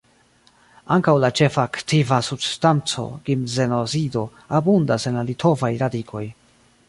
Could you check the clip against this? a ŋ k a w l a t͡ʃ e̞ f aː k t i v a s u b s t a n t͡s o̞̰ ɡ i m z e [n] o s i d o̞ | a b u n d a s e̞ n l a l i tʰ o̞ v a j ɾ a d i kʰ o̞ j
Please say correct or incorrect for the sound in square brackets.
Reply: correct